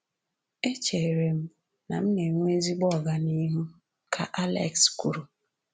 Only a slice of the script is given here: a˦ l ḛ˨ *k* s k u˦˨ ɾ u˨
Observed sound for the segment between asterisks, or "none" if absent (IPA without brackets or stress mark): k